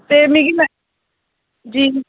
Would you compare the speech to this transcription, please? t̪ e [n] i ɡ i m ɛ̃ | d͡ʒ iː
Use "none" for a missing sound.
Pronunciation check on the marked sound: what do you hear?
m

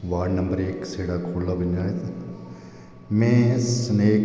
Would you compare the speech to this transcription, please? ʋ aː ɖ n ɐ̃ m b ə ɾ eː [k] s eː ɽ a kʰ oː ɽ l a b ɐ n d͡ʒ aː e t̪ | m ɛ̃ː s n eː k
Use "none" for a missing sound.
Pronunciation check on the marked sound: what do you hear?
k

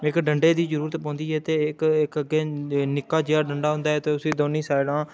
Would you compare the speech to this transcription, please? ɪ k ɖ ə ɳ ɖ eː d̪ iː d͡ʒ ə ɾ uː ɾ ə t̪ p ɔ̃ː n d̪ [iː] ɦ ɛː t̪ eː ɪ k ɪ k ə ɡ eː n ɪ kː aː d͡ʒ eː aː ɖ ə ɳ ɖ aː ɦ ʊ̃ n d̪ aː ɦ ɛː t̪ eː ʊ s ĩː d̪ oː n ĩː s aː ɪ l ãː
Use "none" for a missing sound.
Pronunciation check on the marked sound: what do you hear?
iː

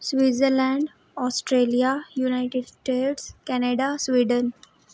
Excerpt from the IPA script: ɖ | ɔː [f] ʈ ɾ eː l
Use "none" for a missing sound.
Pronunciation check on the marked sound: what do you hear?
s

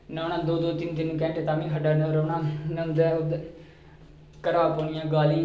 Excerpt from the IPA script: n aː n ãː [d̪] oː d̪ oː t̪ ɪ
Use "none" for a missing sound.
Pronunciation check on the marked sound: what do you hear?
d̪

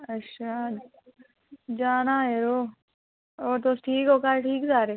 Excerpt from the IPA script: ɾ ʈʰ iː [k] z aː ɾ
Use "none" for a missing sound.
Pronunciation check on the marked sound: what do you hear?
k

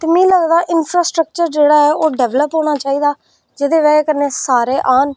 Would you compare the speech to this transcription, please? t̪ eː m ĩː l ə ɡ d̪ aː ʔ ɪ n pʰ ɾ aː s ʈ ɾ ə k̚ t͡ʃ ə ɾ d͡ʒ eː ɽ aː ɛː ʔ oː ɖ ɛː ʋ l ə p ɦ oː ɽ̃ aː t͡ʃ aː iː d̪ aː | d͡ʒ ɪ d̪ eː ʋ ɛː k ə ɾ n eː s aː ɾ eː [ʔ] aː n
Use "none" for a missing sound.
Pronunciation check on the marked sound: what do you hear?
ʔ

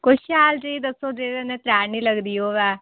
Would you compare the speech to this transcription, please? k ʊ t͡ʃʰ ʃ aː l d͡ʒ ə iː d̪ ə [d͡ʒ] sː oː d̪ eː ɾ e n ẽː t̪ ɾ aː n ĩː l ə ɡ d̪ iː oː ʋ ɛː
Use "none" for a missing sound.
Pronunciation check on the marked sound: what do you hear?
none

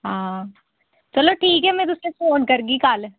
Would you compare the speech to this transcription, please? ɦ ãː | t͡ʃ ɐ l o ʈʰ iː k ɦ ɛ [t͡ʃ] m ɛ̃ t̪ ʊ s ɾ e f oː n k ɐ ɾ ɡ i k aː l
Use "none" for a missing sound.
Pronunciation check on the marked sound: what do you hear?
none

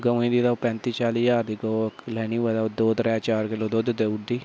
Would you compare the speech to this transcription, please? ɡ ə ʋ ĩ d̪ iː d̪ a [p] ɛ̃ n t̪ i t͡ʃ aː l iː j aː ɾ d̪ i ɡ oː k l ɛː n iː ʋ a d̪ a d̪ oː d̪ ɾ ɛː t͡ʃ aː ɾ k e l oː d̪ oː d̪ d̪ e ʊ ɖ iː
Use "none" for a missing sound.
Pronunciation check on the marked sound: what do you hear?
p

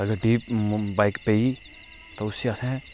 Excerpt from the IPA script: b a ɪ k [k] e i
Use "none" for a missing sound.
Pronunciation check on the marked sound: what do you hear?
p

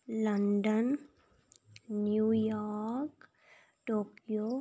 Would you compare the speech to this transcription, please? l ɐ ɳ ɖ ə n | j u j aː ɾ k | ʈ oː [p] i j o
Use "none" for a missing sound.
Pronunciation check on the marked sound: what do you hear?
k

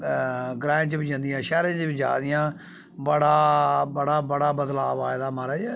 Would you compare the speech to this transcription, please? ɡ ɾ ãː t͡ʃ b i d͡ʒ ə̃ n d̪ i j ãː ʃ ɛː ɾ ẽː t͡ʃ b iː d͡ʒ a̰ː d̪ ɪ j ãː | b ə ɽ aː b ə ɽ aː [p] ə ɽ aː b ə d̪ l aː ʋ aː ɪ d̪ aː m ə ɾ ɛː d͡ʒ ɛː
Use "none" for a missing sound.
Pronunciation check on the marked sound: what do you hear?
b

